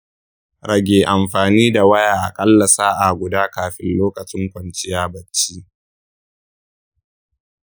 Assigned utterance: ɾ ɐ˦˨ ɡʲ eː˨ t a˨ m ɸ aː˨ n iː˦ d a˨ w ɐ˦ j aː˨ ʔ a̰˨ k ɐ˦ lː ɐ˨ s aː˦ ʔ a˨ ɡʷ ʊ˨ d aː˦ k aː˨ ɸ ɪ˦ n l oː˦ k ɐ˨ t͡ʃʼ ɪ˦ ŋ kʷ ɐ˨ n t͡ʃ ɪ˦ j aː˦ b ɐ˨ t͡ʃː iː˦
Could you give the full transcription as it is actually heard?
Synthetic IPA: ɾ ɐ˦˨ ɡʲ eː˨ ʔ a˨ m ɸ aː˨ n iː˦ d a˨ w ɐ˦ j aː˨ ʔ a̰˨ kʼ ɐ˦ lː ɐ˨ s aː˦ ʔ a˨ ɡʷ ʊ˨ d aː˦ k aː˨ ɸ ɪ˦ n l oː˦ k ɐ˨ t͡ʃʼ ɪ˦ ŋ kʷ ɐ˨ n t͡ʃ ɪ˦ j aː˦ b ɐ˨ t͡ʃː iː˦